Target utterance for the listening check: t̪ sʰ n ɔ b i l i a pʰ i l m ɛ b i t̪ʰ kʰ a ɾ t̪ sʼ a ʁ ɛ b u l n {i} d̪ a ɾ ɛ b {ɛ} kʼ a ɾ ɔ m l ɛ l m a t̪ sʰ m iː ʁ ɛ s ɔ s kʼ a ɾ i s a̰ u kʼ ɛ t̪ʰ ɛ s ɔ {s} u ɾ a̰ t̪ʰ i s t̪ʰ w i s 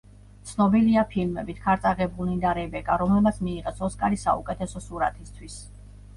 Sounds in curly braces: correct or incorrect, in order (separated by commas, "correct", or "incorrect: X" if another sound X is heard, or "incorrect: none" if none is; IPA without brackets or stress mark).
correct, correct, correct